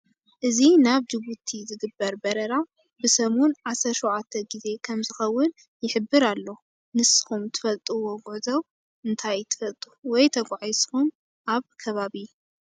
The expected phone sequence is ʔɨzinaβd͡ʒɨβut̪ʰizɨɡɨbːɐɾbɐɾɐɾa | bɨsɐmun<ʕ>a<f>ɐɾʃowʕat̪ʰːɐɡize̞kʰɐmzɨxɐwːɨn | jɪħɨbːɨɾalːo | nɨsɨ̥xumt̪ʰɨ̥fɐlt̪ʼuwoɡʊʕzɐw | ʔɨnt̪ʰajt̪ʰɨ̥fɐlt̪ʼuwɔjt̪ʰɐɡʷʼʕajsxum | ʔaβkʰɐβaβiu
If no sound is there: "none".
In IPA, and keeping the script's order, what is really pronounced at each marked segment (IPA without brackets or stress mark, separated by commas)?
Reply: ʕ, s